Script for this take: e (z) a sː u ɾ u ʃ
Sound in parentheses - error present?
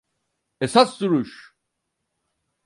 yes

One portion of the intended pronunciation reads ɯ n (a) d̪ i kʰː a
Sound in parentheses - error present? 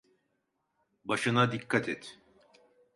no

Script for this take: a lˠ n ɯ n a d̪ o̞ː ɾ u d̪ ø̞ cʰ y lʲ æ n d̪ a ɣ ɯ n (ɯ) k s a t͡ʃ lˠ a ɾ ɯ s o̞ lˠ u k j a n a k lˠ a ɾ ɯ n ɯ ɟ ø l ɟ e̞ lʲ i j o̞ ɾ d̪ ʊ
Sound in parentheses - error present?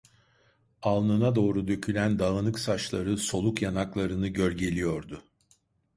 no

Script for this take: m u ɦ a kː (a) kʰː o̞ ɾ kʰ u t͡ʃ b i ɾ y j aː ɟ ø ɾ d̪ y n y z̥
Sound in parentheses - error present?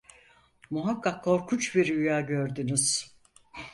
no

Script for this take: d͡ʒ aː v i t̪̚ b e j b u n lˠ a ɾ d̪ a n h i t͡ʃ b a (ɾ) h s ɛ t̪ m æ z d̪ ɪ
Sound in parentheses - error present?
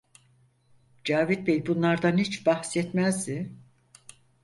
yes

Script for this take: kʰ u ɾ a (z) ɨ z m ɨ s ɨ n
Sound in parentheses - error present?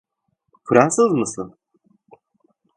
yes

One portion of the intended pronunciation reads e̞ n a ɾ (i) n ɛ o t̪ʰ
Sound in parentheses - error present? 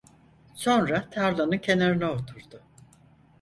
no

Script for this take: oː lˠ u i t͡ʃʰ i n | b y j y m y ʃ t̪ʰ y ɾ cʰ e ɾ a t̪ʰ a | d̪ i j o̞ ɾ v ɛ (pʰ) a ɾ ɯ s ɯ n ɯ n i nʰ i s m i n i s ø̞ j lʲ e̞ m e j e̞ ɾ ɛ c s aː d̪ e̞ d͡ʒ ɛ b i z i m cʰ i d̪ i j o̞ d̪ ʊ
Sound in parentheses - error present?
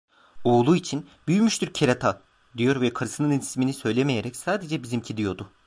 yes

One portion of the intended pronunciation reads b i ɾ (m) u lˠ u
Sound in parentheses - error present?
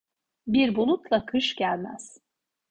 yes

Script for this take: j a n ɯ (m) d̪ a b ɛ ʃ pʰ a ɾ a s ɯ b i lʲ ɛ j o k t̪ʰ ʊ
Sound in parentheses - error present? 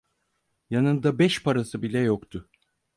yes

